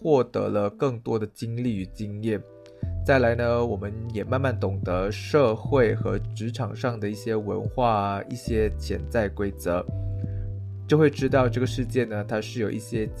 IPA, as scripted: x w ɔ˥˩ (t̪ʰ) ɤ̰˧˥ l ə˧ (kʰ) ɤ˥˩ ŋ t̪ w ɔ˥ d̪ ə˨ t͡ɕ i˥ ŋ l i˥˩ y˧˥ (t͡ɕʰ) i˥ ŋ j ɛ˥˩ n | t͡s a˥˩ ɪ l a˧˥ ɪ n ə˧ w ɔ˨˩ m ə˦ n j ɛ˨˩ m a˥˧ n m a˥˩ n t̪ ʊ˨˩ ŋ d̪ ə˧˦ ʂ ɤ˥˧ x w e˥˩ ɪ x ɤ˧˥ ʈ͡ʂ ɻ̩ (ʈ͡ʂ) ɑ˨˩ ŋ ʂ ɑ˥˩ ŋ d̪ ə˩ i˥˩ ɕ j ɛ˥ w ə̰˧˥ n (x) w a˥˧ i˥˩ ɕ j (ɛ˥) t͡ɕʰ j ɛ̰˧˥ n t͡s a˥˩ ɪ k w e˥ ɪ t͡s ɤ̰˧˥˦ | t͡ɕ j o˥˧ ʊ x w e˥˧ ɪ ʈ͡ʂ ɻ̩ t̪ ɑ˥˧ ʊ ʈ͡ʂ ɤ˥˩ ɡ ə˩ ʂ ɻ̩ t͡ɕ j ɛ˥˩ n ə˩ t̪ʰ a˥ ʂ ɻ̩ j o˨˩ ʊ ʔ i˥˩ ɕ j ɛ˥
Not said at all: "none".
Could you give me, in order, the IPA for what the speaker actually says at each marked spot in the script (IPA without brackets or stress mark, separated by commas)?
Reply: t̪, k, t͡ɕ, ʈ͡ʂʰ, x, ɛ˥